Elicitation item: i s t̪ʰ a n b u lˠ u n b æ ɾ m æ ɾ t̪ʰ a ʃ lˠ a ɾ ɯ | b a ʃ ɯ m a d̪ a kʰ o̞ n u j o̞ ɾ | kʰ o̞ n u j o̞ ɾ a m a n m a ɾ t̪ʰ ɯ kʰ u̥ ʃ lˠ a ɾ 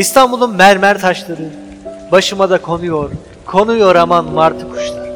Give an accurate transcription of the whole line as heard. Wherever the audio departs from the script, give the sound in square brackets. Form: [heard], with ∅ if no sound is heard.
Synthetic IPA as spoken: i s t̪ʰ a n b u lˠ u n [m] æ ɾ m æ ɾ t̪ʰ a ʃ lˠ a ɾ ɯ | b a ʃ ɯ m a d̪ a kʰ o̞ n u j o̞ ɾ | kʰ o̞ n u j o̞ ɾ a m a n m a ɾ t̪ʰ ɯ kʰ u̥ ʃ lˠ a ɾ